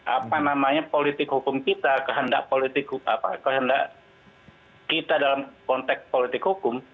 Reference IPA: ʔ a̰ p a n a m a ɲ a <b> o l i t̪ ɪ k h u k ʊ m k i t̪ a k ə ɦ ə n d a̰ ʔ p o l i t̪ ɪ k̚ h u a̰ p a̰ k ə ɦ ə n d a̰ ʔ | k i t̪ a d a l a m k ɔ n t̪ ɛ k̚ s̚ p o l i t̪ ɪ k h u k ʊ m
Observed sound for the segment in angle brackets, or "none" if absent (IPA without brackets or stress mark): p